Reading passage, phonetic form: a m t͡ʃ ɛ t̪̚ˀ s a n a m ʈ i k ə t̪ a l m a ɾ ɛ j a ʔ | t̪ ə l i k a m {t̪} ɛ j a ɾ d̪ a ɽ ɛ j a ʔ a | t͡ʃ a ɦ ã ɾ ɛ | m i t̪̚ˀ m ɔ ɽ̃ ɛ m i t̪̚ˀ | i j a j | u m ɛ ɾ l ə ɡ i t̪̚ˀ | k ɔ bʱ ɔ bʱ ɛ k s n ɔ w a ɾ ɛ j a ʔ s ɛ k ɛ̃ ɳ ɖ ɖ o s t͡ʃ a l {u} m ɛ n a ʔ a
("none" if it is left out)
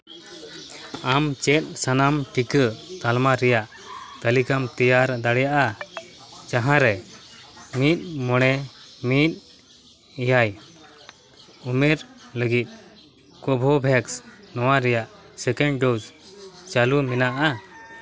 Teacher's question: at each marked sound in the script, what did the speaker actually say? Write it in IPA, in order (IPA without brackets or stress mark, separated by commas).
t̪, u